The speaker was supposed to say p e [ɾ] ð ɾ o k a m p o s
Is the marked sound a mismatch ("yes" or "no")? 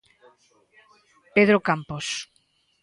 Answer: yes